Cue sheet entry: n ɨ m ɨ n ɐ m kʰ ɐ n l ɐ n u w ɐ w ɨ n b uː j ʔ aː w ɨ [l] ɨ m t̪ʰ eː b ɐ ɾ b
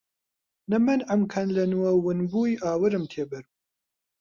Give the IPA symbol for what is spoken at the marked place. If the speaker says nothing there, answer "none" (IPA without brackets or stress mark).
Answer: ɾ